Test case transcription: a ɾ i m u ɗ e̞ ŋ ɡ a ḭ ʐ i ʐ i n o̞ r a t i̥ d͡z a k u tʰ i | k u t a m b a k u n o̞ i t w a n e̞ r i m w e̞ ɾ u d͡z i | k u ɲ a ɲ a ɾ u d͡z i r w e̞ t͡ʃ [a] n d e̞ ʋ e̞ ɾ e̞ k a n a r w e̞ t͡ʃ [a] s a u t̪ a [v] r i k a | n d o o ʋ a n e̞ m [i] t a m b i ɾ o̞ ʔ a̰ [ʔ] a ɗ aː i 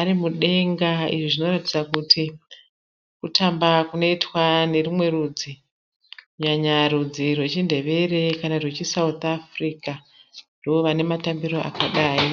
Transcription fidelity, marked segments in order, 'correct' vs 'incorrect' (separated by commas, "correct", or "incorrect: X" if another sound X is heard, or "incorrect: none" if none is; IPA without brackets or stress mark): incorrect: i, incorrect: i, incorrect: f, incorrect: a, incorrect: k